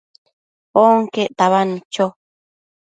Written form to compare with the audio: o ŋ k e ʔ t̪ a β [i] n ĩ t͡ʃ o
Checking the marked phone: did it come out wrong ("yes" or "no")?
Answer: yes